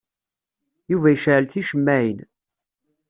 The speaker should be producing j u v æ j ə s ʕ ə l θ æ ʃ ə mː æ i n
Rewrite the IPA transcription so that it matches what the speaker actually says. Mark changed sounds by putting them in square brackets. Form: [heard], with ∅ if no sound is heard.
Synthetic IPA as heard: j u v æ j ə [ʃ] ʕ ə l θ [i] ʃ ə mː æ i n